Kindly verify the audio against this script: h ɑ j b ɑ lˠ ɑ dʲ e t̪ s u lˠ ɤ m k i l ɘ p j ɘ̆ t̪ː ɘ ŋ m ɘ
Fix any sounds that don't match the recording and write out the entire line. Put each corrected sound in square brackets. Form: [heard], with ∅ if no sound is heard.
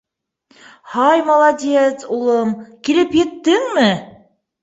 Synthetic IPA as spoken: h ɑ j [m] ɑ lˠ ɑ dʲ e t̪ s u lˠ ɤ m k i l ɘ p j ɘ̆ t̪ː ɘ ŋ m ɘ